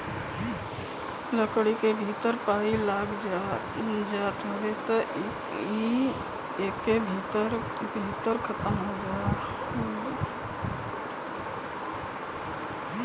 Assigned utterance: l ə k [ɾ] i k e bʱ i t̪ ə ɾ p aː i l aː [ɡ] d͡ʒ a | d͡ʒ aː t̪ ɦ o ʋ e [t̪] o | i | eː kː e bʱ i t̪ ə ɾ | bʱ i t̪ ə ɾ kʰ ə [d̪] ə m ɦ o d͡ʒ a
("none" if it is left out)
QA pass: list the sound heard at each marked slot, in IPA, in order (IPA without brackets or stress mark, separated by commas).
ɽ, ɡ, t̪, t̪